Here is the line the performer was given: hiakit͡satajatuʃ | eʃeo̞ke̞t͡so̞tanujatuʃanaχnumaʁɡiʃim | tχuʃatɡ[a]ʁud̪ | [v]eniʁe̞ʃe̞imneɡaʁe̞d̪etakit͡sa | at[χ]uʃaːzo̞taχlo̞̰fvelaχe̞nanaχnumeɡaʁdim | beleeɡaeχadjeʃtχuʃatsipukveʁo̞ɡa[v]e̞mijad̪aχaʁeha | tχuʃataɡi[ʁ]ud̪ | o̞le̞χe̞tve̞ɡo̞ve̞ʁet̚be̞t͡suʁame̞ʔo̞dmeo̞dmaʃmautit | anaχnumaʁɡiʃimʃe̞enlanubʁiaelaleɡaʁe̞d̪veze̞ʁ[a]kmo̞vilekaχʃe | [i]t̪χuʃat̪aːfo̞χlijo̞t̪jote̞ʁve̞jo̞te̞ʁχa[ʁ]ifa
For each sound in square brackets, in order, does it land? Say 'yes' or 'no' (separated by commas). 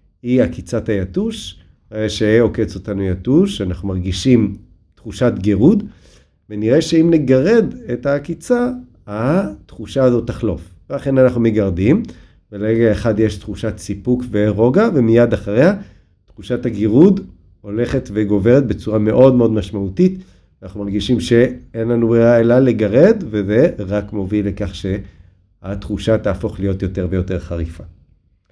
no, yes, yes, yes, yes, yes, no, yes